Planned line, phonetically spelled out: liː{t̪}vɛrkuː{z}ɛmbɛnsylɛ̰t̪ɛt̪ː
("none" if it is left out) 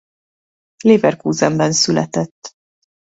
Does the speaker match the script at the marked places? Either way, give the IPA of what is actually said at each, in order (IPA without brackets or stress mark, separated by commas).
none, z